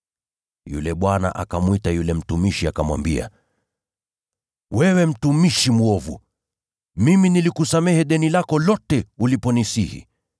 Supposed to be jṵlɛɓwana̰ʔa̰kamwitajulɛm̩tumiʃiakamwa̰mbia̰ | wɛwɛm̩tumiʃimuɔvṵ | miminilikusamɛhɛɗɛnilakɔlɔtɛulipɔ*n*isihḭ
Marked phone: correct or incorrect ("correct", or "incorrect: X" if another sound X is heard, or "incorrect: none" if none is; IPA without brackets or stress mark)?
correct